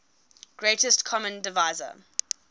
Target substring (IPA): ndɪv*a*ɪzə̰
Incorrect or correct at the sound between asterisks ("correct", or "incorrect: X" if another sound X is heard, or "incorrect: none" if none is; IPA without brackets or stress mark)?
correct